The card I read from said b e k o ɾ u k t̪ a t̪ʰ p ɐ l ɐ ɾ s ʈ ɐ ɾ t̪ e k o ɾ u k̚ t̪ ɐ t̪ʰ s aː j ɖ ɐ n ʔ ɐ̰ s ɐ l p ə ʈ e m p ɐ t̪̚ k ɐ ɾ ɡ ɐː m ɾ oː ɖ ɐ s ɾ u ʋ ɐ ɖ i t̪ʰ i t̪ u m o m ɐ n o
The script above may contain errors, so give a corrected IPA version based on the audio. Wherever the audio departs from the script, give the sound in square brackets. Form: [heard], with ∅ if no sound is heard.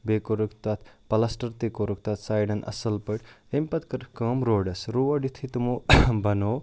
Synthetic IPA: b e k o ɾ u k t̪ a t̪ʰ p ɐ l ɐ [∅] s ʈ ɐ ɾ t̪ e k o ɾ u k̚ t̪ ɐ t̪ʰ s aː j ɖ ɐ n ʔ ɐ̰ s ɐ l p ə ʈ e m p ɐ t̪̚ k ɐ ɾ [k] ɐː m ɾ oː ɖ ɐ s ɾ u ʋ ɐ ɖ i t̪ʰ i t̪ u m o [b] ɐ n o

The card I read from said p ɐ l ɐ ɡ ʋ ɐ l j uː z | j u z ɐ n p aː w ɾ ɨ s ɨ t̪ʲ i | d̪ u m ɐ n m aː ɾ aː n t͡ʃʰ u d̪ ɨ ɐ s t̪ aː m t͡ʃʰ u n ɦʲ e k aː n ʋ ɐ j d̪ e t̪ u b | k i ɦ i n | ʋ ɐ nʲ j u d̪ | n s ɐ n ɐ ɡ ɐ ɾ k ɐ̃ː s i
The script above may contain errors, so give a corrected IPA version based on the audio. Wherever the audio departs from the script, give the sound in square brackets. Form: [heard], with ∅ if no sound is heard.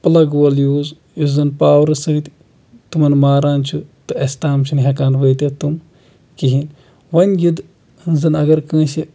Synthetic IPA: p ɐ l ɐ ɡ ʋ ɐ l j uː z | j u z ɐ n p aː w ɾ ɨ s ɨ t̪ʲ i | [t̪] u m ɐ n m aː ɾ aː n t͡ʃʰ u [t̪] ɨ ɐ s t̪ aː m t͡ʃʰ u n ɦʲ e k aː n ʋ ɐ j [t̪] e t̪ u [m] | k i ɦ i n | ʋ ɐ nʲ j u d̪ | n [z] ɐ n ɐ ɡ ɐ ɾ k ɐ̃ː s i

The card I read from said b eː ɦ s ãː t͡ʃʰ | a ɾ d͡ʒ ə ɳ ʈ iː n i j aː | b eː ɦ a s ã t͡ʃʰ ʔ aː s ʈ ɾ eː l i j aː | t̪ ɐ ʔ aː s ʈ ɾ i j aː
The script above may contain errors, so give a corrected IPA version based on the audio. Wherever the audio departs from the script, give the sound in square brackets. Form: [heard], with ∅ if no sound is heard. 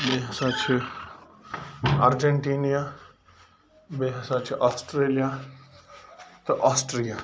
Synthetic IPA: b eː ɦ s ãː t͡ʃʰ | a ɾ d͡ʒ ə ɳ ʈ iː n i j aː | b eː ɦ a s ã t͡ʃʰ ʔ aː s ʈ ɾ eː l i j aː | t̪ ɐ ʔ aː s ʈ ɾ i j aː

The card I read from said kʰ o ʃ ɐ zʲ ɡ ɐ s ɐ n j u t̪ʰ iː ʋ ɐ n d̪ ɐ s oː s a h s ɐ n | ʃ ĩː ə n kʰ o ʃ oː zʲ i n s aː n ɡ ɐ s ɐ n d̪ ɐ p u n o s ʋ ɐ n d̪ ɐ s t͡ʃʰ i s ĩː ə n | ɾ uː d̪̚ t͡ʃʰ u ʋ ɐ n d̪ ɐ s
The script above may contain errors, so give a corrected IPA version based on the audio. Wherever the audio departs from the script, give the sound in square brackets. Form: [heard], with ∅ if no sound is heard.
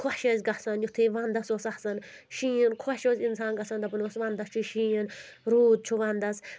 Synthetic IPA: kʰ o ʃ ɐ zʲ ɡ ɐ s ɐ n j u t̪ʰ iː ʋ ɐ n d̪ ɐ s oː s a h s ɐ n | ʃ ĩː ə n kʰ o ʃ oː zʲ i n s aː n ɡ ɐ s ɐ n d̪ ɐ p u n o s ʋ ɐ n d̪ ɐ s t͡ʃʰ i [ʃ] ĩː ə n | ɾ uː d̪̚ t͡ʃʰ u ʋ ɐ n d̪ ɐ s

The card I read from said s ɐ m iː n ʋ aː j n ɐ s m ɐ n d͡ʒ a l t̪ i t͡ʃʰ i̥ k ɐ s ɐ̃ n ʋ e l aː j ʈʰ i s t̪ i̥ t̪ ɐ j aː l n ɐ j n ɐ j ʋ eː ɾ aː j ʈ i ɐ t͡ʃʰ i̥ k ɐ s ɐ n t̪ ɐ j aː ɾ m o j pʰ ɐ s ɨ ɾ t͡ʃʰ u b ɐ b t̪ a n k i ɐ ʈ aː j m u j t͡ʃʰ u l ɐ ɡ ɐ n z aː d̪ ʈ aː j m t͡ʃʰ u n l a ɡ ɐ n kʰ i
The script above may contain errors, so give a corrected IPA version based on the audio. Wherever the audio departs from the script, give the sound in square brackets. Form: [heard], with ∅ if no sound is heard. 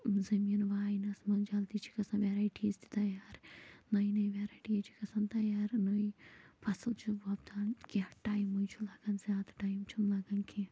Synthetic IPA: [z] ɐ m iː n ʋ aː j n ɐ s m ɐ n d͡ʒ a l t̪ i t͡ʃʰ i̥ k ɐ s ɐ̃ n ʋ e [ɾ] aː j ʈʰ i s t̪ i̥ t̪ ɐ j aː [ɾ] n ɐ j n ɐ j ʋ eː ɾ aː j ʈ i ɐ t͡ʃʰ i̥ k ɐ s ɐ n t̪ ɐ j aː ɾ [n] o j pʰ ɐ s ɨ [l] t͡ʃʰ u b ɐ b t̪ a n k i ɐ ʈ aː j m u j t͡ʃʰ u l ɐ ɡ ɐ n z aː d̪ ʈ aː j m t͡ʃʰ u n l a ɡ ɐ n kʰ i

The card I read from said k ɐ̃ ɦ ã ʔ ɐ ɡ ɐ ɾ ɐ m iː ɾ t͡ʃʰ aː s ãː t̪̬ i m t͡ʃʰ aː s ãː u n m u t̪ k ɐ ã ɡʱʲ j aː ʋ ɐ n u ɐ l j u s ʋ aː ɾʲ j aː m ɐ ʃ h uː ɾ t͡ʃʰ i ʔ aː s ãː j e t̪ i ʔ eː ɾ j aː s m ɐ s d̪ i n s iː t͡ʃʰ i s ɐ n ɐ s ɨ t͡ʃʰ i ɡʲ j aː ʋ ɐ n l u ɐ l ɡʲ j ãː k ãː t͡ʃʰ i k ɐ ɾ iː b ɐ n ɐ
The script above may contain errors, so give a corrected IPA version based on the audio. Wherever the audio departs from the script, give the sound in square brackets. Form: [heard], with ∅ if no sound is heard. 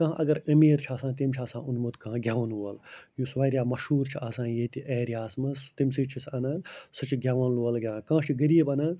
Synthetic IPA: k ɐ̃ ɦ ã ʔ ɐ ɡ ɐ ɾ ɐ m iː ɾ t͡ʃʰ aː s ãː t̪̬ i m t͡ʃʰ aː s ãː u n m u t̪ k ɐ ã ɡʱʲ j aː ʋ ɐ n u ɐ l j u s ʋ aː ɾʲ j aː m ɐ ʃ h uː ɾ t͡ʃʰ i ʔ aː s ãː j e t̪ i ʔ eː ɾ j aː s m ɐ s [t̪] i [m] s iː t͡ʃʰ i s ɐ n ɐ s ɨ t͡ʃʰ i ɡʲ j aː ʋ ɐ n l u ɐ l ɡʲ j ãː k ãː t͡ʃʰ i [ɡ] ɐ ɾ iː b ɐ n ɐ

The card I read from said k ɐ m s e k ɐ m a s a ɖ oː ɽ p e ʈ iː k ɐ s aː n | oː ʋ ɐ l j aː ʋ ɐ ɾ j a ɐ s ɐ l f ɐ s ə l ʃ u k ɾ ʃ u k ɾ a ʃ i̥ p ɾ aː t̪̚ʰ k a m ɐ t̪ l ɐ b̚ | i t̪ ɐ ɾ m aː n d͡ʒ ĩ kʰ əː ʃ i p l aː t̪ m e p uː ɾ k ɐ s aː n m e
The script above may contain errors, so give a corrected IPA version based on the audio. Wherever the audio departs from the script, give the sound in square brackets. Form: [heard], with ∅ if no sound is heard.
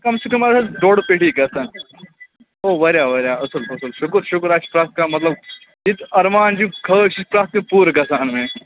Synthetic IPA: k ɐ m s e k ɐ m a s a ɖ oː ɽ p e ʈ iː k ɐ s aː n | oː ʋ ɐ [ɾ] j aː ʋ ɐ ɾ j a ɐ s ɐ l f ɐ s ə l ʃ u k ɾ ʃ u k ɾ a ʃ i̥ p ɾ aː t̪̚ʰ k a m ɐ t̪ l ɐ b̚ | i t̪ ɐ ɾ m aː n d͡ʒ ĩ kʰ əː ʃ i p [ɾ] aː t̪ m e p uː ɾ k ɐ s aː n m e

